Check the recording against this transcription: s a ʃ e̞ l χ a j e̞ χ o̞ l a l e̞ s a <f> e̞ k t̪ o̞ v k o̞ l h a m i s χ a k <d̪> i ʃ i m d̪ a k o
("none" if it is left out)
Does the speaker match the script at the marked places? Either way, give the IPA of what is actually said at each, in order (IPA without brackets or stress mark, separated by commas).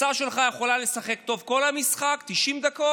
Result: χ, t̪